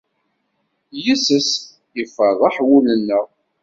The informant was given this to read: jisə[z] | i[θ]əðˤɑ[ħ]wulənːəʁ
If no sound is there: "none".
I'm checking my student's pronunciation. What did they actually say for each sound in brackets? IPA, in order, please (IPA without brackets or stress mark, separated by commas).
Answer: s, f, ħ